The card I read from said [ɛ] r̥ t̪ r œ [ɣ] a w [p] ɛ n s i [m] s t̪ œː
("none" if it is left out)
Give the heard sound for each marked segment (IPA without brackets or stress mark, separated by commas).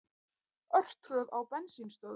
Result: œ, ð, p, n